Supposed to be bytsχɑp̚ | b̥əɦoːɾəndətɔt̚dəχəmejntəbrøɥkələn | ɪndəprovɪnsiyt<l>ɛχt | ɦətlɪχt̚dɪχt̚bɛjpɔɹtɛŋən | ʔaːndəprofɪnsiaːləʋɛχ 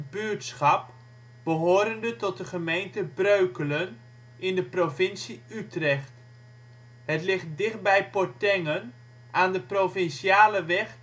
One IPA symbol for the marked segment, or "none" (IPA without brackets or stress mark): r